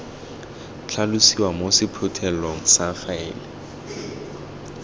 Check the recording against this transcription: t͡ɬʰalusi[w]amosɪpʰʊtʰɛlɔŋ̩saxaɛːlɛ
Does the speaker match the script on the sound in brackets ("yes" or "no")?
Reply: yes